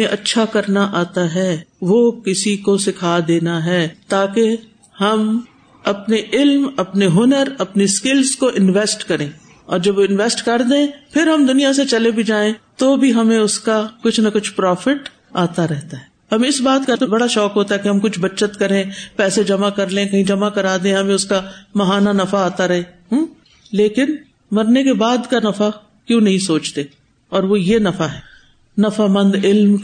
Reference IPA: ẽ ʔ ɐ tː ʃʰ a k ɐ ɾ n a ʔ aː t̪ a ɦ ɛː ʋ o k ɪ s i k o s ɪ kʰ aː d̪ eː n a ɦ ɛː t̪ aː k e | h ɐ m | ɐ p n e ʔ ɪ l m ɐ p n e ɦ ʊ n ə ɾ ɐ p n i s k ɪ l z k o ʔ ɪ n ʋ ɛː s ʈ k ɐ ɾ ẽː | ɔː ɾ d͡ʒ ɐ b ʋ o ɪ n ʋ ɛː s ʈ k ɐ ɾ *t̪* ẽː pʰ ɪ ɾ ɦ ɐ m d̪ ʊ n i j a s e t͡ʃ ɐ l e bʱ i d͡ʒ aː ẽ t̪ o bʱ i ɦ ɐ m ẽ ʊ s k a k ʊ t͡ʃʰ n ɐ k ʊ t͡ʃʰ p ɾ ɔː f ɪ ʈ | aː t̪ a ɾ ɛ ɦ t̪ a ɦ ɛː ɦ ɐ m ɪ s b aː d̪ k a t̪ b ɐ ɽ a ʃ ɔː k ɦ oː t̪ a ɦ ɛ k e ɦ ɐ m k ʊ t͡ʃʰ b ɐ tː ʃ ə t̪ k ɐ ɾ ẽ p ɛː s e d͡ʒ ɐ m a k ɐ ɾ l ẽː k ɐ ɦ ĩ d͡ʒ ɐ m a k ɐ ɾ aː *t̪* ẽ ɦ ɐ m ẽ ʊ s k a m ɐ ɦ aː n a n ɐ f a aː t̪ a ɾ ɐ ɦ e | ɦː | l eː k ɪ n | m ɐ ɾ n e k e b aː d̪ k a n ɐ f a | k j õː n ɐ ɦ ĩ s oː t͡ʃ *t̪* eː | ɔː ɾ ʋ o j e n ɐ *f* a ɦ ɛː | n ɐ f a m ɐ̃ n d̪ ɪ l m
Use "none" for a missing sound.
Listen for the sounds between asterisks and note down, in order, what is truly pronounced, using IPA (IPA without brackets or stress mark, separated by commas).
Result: d̪, d̪, t̪, f